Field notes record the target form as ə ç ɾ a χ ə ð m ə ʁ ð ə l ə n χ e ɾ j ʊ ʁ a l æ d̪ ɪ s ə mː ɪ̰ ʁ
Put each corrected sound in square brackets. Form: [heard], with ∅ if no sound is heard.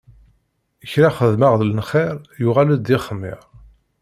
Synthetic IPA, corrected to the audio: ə ç ɾ a χ ə ð m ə ʁ ð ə l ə n χ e ɾ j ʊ ʁ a l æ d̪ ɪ [χ] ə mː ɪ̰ ʁ